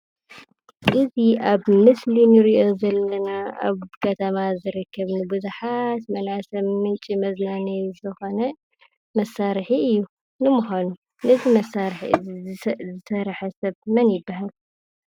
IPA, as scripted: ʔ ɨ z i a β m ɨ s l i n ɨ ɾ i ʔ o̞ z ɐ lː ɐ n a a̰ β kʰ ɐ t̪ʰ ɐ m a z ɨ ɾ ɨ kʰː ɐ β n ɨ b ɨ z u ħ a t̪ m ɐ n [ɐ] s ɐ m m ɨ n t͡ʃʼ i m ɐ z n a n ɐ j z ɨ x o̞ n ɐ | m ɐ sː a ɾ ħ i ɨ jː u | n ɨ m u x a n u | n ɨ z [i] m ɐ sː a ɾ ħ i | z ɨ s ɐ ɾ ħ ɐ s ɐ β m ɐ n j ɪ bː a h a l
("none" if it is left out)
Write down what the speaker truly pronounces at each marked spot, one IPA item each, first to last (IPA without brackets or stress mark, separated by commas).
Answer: a, i